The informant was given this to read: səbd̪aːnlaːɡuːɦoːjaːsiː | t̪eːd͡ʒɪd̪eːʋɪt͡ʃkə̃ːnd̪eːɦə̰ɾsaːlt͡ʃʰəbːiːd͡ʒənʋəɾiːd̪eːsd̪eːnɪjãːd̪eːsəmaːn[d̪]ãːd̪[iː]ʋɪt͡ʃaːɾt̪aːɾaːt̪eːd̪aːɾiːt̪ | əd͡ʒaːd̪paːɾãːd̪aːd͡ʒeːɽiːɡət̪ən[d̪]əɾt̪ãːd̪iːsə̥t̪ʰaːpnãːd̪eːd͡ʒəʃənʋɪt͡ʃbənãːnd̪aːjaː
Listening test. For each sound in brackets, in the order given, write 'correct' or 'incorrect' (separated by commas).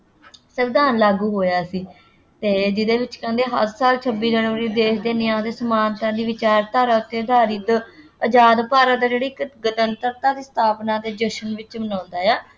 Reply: incorrect, correct, incorrect